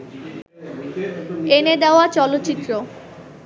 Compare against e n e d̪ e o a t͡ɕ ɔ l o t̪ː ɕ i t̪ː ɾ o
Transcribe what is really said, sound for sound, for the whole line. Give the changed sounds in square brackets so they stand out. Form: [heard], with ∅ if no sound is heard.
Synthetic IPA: e n e d̪ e o a t͡ɕ ɔ l o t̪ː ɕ i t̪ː ɾ o